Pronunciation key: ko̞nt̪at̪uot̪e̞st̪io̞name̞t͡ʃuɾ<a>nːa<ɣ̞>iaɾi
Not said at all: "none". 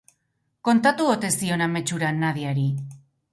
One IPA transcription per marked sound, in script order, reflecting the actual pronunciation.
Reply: a, ð̞

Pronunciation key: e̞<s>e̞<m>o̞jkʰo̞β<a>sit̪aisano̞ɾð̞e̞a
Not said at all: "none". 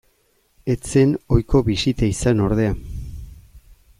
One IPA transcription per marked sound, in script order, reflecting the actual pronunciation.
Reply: t͡s, n, i

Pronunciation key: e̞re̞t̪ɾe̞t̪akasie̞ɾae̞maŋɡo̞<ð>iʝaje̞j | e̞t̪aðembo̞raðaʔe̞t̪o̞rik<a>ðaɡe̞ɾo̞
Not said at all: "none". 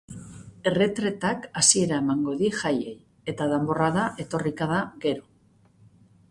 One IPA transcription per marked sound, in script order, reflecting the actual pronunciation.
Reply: ð, a

